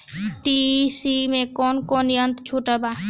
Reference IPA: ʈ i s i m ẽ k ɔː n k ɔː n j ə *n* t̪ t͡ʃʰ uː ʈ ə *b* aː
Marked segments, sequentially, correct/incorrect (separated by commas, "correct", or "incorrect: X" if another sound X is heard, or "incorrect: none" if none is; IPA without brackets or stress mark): correct, correct